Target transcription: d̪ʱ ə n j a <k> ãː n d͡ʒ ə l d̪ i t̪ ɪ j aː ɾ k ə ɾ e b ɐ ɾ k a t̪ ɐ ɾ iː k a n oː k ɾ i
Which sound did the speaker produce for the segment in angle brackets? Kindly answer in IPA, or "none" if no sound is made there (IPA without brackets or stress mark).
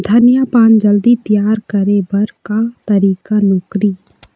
p